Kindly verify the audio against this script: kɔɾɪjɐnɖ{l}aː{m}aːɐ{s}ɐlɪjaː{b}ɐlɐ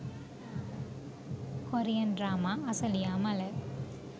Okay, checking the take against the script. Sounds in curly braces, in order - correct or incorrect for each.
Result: incorrect, correct, correct, incorrect

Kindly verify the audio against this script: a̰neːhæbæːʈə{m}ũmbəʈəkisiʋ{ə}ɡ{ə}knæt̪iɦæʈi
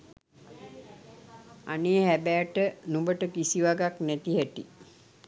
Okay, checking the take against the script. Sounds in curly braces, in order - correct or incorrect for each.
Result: incorrect, incorrect, incorrect

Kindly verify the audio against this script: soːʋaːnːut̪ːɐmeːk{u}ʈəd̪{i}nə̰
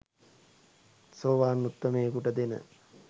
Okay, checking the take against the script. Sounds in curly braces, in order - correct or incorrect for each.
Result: correct, incorrect

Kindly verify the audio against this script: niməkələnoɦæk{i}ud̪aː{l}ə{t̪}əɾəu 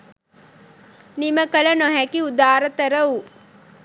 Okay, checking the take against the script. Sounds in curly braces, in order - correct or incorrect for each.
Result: correct, incorrect, correct

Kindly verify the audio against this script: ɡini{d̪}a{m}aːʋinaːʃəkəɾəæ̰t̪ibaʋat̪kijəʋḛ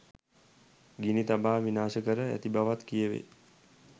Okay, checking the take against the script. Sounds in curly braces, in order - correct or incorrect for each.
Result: incorrect, incorrect

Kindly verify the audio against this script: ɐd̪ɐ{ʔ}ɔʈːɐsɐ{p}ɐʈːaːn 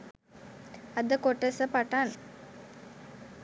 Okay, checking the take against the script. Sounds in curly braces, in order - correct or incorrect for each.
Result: incorrect, correct

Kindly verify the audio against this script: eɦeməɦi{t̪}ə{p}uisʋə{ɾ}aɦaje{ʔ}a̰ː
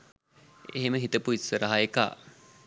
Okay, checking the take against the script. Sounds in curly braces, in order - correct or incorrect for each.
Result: correct, correct, correct, incorrect

